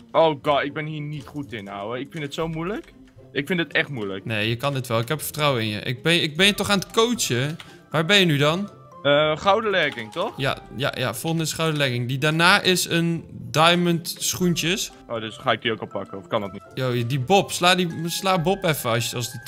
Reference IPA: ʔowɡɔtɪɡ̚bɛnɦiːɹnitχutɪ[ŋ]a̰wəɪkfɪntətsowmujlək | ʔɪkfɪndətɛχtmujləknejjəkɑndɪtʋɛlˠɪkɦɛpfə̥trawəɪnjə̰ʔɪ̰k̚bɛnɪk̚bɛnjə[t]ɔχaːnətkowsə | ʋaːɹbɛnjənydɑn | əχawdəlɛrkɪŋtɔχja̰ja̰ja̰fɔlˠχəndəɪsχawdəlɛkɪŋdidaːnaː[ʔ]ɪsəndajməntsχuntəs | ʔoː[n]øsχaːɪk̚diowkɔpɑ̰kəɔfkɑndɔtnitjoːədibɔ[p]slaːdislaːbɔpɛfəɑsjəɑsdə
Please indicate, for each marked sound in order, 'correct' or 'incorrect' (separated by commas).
incorrect, correct, correct, incorrect, correct